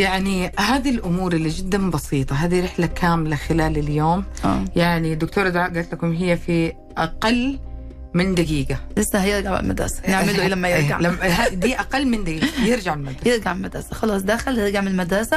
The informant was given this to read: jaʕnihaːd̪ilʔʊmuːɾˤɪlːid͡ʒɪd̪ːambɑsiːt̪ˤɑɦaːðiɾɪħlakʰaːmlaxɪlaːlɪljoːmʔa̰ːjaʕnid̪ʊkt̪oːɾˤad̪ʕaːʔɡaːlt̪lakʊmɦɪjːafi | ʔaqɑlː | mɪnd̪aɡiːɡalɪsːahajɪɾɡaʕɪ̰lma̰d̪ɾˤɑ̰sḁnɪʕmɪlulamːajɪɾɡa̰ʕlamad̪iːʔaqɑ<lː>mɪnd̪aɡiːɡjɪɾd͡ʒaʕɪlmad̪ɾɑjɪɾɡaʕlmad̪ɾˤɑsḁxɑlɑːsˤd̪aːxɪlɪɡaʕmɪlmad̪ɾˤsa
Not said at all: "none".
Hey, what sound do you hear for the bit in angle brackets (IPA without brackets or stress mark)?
lː